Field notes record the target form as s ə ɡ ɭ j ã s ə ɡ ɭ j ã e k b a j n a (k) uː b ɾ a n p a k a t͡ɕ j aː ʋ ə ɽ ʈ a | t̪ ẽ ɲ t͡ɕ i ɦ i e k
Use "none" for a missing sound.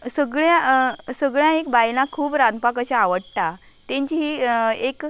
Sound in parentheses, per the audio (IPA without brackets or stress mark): kʰ